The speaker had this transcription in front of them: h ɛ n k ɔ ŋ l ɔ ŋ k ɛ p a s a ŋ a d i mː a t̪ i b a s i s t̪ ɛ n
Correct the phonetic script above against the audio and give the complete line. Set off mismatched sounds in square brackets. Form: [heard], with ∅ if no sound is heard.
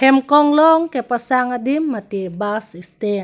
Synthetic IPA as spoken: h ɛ [m] k ɔ ŋ l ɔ ŋ k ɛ p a s a ŋ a d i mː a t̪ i b a s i s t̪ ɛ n